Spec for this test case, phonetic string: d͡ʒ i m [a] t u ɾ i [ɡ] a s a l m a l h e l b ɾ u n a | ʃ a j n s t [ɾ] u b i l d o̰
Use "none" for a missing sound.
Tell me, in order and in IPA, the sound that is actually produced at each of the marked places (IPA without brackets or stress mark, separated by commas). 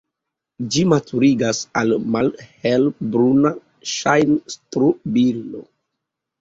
a, ɡ, ɾ